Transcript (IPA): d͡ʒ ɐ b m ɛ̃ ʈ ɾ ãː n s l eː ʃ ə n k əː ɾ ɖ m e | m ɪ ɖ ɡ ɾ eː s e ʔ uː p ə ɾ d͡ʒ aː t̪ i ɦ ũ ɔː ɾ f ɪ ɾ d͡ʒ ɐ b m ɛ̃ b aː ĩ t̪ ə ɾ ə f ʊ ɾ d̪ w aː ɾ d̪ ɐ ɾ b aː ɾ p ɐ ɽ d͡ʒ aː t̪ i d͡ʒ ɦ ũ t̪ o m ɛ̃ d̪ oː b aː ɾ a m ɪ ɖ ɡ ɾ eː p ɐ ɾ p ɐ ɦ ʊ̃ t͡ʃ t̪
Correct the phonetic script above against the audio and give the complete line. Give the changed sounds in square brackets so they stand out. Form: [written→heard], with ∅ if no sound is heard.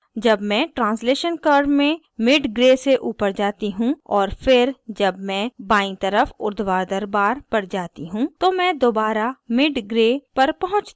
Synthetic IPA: d͡ʒ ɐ b m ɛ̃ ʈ ɾ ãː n s l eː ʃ ə n k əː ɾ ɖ m [e→ẽ] | m ɪ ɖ ɡ ɾ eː s e ʔ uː p ə ɾ d͡ʒ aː t̪ i ɦ ũ ɔː ɾ f ɪ ɾ d͡ʒ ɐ b m ɛ̃ b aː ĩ t̪ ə ɾ ə f ʊ ɾ d̪ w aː ɾ d̪ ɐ ɾ b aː ɾ p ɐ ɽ d͡ʒ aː t̪ i [d͡ʒ→∅] ɦ ũ t̪ o m ɛ̃ d̪ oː b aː ɾ a m ɪ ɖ ɡ ɾ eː p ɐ ɾ p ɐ ɦ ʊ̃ t͡ʃ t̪